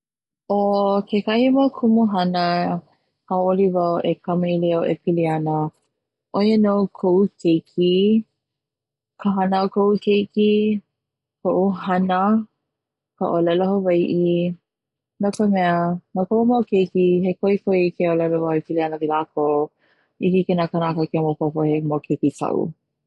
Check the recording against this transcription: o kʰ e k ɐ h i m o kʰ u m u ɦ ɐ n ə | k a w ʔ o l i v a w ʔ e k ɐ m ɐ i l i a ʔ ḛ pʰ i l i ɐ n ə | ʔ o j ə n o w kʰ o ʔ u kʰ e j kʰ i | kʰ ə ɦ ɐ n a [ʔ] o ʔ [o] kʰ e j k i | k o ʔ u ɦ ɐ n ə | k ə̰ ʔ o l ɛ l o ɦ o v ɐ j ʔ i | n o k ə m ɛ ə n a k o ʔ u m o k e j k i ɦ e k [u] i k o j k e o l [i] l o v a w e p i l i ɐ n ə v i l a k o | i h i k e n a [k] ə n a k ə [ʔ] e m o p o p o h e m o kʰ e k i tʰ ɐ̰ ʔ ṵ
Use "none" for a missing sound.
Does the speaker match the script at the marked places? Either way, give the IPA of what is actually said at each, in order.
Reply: k, u, o, ɛ, k, k

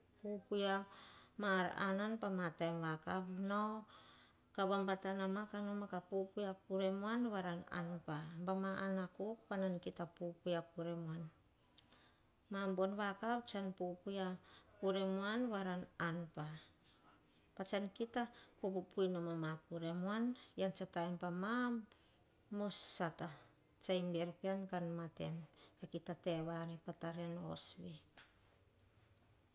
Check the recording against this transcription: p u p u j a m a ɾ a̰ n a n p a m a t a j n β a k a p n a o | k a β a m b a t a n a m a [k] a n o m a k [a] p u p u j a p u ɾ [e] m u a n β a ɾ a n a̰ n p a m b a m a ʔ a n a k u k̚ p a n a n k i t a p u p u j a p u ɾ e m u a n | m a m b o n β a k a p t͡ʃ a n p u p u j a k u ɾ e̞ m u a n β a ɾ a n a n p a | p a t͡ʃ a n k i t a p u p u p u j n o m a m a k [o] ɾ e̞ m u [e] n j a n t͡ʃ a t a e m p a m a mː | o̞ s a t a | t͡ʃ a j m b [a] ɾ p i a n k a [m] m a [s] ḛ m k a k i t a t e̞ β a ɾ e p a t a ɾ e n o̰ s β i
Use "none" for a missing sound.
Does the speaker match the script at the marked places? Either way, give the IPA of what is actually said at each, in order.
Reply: k, a, e, u, a, e, n, t

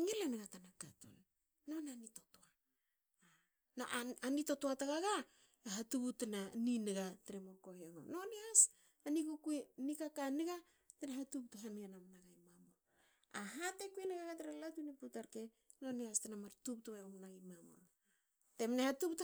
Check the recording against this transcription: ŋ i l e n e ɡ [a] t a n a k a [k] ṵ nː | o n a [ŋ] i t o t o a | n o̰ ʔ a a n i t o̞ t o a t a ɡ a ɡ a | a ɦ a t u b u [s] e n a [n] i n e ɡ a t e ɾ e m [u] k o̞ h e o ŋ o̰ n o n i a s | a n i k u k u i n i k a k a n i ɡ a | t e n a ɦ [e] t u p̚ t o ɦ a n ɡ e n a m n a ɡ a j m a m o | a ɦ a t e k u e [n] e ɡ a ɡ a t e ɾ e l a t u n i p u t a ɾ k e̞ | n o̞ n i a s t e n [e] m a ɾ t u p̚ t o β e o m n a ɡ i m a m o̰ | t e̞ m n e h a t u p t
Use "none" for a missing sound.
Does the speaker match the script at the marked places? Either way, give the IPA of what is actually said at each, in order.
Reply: a, t, n, t, n, o, a, n, a

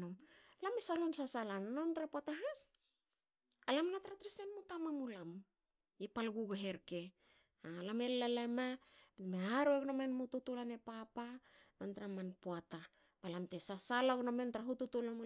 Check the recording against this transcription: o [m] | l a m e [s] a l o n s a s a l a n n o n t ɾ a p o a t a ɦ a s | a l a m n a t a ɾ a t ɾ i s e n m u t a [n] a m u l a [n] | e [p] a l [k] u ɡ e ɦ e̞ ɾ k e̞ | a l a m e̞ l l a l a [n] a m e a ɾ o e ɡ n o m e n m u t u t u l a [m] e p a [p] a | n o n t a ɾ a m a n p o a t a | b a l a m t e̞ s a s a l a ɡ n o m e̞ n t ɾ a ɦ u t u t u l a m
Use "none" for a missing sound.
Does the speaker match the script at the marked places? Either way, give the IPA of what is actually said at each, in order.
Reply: m, s, m, m, p, ɡ, m, n, p

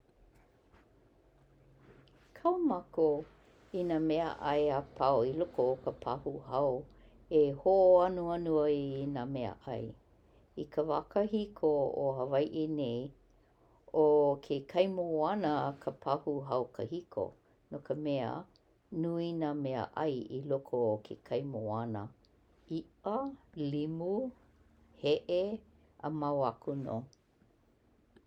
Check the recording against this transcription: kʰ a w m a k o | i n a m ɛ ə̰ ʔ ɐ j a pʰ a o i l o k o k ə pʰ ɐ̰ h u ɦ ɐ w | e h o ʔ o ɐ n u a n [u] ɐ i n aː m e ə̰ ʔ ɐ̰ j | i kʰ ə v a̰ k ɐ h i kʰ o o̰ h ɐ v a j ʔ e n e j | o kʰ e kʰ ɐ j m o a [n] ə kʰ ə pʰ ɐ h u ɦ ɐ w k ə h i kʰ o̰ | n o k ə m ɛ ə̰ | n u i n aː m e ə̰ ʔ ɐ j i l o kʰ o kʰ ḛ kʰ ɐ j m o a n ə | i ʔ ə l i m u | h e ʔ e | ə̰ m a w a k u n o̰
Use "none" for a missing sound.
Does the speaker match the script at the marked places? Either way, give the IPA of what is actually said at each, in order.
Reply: u, n

